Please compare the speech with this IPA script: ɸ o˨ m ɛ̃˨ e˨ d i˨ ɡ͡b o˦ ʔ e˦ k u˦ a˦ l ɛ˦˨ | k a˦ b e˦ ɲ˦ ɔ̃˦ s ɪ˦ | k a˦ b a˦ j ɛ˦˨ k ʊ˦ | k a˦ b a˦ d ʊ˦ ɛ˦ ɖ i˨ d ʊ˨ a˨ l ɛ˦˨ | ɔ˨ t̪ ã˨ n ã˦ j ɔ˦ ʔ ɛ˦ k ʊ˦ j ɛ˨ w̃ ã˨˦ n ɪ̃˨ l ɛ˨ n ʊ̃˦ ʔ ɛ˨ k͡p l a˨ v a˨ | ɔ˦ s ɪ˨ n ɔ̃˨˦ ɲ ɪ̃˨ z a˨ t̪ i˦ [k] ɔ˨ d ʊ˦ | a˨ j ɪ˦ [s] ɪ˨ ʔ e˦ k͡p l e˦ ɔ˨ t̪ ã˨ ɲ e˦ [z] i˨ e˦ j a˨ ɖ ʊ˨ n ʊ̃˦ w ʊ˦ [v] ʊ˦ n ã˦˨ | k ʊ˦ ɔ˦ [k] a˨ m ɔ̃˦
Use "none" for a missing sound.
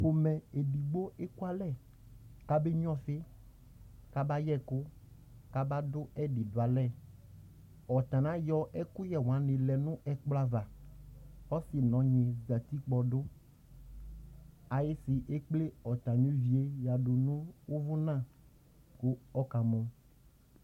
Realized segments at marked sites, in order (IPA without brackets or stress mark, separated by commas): k͡p, s, v, v, k